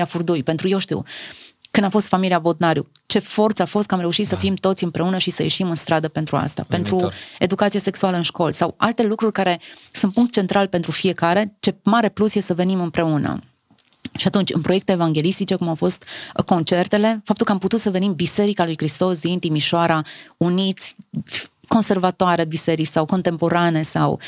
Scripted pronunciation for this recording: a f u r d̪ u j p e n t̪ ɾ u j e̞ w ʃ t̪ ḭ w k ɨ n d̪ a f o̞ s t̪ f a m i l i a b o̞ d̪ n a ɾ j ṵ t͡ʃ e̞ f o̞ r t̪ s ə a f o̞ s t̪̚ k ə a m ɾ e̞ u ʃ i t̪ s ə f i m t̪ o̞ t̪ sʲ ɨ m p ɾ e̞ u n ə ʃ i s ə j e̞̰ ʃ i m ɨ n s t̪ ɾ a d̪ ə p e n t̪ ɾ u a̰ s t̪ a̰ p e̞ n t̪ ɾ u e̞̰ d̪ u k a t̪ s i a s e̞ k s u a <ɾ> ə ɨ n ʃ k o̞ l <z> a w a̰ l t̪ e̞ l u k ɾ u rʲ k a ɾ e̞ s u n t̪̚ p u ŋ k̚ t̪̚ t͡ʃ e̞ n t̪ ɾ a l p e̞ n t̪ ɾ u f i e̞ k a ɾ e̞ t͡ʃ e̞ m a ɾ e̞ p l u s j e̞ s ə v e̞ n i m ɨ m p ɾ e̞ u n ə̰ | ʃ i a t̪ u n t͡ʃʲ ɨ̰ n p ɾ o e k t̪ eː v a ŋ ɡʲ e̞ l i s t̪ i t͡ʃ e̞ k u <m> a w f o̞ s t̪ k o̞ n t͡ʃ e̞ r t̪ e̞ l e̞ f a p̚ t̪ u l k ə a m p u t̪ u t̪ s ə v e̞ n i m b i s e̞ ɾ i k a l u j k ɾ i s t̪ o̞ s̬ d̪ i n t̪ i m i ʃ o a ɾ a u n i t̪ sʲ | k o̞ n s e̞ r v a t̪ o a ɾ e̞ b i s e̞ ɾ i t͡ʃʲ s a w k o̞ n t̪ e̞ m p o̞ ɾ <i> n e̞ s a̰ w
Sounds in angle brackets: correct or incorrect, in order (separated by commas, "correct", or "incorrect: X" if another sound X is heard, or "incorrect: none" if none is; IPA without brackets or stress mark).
incorrect: l, incorrect: s, correct, incorrect: a